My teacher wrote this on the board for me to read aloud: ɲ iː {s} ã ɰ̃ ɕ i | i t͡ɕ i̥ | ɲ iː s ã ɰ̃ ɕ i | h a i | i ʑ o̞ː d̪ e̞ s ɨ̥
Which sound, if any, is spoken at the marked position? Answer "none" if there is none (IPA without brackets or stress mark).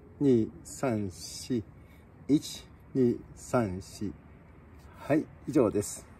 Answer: s